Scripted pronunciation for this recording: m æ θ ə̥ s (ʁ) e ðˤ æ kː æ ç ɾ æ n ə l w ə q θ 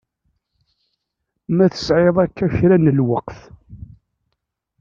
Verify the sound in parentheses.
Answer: incorrect: ʕ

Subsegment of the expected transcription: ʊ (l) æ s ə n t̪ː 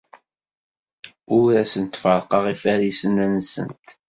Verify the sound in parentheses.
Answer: incorrect: ɾ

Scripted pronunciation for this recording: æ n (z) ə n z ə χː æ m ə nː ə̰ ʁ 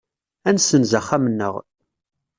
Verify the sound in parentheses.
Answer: incorrect: s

